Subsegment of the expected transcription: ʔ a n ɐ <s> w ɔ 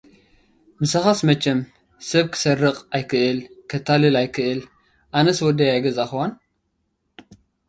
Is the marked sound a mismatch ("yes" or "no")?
no